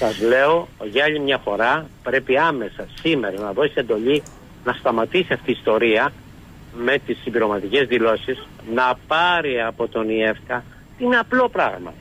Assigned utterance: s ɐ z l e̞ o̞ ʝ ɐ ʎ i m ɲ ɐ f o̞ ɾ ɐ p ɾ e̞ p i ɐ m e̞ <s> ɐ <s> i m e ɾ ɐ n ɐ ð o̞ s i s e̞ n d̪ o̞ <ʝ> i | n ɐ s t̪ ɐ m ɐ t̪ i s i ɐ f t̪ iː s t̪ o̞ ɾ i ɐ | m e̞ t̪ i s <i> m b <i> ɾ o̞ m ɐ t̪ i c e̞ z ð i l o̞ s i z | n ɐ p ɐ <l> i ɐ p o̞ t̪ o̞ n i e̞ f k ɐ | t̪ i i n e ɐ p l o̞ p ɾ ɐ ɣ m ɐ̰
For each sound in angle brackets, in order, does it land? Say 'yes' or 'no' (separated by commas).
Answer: yes, yes, no, yes, yes, no